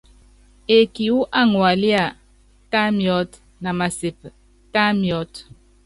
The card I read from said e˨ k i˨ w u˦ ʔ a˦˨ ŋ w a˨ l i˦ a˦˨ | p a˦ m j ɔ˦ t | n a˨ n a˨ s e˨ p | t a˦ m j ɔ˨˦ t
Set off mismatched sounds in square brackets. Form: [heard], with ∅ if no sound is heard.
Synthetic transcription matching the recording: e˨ k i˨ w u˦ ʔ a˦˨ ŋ w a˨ l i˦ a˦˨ | [t] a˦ m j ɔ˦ t | n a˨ [m] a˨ s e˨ p | t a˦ m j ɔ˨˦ t